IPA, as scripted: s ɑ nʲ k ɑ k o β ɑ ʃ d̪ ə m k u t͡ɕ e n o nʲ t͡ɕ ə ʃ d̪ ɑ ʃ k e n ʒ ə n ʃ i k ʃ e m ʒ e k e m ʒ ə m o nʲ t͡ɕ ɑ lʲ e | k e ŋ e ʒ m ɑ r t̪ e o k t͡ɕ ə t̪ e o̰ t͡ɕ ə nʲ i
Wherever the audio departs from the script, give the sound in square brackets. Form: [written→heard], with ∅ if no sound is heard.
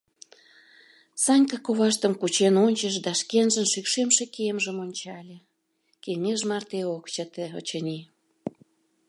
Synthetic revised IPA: s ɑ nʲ k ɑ k o β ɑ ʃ [d̪→t̪] ə m k u t͡ɕ e n o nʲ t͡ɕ ə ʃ d̪ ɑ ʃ k e n ʒ ə n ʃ [i→y] k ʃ e m [ʒ→ʃ] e k e m ʒ ə m o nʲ t͡ɕ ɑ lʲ e | k e ŋ e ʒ m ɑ r t̪ e o k t͡ɕ ə t̪ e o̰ t͡ɕ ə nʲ i